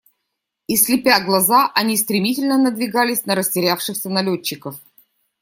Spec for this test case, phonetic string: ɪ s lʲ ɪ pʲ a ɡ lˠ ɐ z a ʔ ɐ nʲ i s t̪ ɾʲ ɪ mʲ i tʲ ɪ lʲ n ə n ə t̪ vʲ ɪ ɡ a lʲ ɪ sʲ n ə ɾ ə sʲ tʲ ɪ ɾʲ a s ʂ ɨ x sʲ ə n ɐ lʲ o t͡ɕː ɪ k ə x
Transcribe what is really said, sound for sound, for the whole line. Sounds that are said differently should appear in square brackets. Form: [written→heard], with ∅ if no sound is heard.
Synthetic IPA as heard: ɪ s lʲ ɪ pʲ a ɡ lˠ ɐ z a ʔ ɐ nʲ i s t̪ ɾʲ ɪ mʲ i tʲ ɪ lʲ n ə n ə [t̪→d̪] vʲ ɪ ɡ a lʲ ɪ sʲ n ə ɾ ə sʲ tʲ ɪ ɾʲ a [s→f] ʂ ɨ x sʲ ə n ɐ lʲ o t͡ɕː ɪ k ə [x→f]